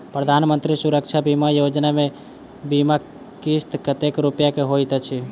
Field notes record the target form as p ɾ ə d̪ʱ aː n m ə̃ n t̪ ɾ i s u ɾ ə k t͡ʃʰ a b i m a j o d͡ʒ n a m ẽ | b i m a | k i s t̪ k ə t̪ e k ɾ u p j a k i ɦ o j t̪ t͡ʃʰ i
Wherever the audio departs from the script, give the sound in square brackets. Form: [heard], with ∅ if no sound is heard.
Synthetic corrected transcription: p ɾ ə d̪ʱ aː n m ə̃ n t̪ ɾ i s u ɾ ə k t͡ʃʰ a b i m a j o d͡ʒ n a m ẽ | b i m a | k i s t̪ k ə t̪ e k ɾ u p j a k [e] ɦ o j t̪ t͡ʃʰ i